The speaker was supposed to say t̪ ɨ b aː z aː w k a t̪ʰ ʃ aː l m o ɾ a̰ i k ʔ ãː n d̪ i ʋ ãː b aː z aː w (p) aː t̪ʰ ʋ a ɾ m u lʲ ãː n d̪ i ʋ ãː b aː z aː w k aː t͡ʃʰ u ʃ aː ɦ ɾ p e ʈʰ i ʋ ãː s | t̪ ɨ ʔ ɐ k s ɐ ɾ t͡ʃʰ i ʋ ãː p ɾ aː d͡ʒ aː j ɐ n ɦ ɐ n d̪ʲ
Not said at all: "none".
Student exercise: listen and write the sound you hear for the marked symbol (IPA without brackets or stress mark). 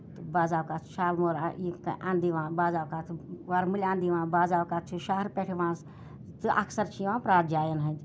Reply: k